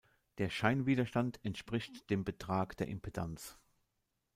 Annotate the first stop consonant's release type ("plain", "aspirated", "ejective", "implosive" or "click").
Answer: plain